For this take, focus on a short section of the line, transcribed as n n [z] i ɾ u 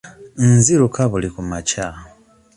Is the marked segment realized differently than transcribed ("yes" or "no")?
no